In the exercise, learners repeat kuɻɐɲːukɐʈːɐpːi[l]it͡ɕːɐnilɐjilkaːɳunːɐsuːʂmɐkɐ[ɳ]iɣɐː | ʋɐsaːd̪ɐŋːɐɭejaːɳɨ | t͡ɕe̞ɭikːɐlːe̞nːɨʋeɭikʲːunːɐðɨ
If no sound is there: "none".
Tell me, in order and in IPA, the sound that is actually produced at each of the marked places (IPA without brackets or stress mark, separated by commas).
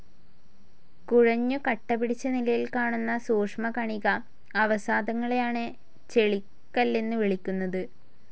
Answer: ɽ, ɳ